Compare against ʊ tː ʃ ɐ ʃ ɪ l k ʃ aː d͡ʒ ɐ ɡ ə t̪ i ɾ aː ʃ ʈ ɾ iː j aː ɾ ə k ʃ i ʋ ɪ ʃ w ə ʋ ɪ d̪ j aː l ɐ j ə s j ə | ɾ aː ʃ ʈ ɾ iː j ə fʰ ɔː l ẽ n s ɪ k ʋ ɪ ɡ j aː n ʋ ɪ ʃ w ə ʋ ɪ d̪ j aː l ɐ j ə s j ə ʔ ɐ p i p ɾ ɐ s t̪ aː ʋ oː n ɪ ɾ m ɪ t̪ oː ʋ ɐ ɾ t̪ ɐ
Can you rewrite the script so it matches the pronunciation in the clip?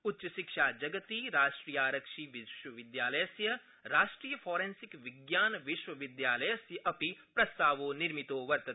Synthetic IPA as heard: ʊ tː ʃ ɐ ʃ ɪ k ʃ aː d͡ʒ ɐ ɡ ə t̪ i ɾ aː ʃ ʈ ɾ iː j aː ɾ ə k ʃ i ʋ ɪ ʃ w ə ʋ ɪ d̪ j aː l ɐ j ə s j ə | ɾ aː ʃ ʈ ɾ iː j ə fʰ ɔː ɾ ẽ n s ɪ k ʋ ɪ ɡ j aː n ʋ ɪ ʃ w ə ʋ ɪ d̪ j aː l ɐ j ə s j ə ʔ ɐ p i p ɾ ɐ s t̪ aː ʋ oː n ɪ ɾ m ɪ t̪ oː ʋ ɐ ɾ t̪ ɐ